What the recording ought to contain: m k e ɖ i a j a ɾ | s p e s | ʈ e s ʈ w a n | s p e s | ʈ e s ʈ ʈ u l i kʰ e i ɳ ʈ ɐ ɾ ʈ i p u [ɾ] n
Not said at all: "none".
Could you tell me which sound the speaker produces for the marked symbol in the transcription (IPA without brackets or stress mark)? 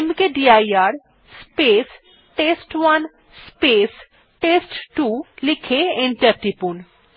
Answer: none